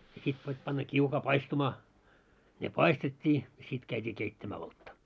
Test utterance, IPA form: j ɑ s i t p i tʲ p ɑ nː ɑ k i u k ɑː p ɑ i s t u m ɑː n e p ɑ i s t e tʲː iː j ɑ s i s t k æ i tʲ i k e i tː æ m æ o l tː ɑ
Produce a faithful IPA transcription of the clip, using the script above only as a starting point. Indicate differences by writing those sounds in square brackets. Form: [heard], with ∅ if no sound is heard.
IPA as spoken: j ɑ s i t p i tʲ p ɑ nː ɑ k i u k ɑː p ɑ i s t u m ɑː n e p ɑ i s t e tʲː iː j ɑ s i [∅] t k æ i tʲ [iː] k e i tː æ m [æː] o l tː ɑ